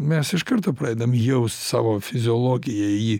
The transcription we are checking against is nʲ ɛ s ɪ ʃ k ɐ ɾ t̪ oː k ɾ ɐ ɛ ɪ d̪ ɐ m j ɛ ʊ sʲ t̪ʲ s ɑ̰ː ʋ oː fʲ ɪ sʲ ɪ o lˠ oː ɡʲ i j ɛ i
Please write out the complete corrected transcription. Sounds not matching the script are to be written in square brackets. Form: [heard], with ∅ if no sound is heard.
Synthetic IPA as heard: [mʲ] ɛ s ɪ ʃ k ɐ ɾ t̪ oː [p] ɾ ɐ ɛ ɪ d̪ ɐ m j ɛ ʊ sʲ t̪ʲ s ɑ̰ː ʋ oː fʲ ɪ [zʲ] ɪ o lˠ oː ɡʲ [ɪ] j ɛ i